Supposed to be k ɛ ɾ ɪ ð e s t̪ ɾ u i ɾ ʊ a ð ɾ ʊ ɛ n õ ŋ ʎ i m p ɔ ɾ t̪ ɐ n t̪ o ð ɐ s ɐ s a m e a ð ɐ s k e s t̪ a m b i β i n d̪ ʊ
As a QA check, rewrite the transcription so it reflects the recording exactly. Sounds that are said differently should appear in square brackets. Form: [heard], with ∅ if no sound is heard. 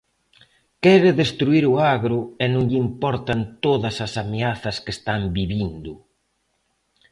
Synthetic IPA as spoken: k ɛ ɾ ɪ ð e s t̪ ɾ u i ɾ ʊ a [ɣ] ɾ ʊ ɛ n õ ŋ ʎ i m p ɔ ɾ t̪ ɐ n t̪ o ð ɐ s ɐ s a m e a [θ] ɐ s k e s t̪ a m b i β i n d̪ ʊ